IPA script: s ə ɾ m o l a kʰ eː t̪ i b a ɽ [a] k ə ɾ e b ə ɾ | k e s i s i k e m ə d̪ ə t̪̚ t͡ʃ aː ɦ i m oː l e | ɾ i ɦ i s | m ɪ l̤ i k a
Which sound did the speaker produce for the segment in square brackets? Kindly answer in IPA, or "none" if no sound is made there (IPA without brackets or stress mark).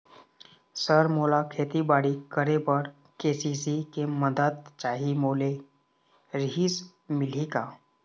i